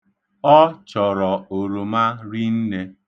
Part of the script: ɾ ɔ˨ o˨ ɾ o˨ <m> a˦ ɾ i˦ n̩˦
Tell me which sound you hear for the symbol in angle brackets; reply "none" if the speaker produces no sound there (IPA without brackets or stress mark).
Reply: m